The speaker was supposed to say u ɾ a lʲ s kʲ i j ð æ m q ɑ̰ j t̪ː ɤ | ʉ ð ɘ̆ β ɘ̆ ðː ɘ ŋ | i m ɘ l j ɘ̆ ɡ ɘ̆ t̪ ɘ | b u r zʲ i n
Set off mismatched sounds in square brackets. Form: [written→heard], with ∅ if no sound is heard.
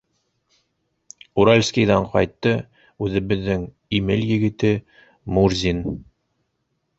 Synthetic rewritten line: u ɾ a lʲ s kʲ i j ð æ [m→ɴ] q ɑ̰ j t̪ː ɤ | ʉ ð ɘ̆ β ɘ̆ ðː ɘ ŋ | i m ɘ l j ɘ̆ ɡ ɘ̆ t̪ ɘ | [b→m] u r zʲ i n